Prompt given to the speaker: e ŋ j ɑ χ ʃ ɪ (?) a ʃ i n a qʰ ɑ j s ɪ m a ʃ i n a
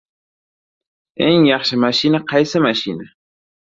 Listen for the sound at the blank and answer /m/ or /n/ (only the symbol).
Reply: m